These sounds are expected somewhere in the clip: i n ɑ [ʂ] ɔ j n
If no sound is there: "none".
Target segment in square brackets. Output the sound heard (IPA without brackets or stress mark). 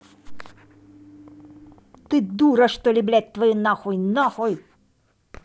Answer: x